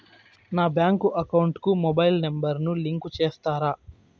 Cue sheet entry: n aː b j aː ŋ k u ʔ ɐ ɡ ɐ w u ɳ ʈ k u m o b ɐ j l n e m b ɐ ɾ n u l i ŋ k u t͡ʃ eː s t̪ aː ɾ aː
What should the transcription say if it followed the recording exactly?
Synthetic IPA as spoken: n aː b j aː ŋ k u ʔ ɐ k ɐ w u ɳ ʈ k u m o b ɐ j l n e m b ɐ ɾ n u l i ŋ k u t͡ʃ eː s t̪ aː ɾ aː